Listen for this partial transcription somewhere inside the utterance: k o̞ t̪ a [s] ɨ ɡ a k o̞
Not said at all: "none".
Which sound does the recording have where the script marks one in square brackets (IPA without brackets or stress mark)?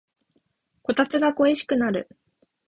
t͡s